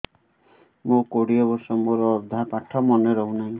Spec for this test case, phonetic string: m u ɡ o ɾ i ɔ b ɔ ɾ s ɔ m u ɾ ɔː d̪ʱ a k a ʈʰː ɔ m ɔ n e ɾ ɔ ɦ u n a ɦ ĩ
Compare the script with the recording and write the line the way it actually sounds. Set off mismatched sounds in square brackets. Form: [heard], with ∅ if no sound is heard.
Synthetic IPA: m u [k] o [ɽ] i ɔ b ɔ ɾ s ɔ m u ɾ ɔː d̪ʱ a [p] a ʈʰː ɔ m ɔ n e ɾ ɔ ɦ u n a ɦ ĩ